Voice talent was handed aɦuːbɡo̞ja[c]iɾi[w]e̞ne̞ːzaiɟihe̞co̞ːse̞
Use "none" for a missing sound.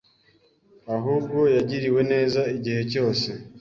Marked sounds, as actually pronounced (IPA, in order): ɟ, w

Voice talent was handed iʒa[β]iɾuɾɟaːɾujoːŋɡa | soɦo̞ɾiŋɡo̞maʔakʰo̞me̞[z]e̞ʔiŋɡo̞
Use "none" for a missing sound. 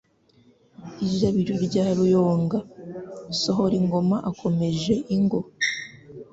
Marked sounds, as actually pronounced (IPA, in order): β, ʒ

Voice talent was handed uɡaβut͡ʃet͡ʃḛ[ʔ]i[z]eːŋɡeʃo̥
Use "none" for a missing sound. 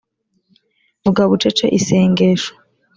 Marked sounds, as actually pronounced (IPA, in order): ʔ, s

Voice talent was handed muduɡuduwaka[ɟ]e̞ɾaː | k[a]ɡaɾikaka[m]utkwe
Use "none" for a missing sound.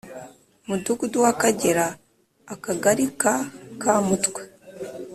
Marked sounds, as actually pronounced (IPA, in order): ɟ, a, m

